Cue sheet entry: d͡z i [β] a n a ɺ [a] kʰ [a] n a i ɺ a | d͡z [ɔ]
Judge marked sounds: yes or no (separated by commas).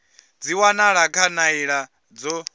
no, yes, yes, yes